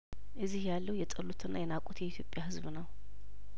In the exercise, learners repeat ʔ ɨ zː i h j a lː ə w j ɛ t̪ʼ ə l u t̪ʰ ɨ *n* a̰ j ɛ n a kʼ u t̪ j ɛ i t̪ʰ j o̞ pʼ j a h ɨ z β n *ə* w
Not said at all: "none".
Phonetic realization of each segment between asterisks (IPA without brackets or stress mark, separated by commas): nː, ə